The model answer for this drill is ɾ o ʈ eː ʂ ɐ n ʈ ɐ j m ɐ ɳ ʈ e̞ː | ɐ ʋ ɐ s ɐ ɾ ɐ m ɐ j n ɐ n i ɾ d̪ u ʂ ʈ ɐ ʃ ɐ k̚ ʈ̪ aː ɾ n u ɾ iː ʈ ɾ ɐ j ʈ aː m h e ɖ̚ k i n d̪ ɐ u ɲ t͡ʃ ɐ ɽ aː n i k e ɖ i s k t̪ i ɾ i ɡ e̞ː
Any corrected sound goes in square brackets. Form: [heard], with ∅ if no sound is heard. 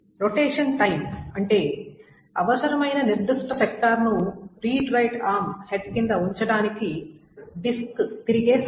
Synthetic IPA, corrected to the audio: ɾ o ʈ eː ʂ ɐ n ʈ ɐ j m ɐ ɳ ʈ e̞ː | ɐ ʋ ɐ s ɐ ɾ ɐ m ɐ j n ɐ n i ɾ d̪ u ʂ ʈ ɐ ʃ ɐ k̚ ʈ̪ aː ɾ n u ɾ iː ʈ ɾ ɐ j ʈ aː m h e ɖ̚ k i n d̪ ɐ u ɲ t͡ʃ ɐ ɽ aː n i k [i] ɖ i s k t̪ i ɾ i ɡ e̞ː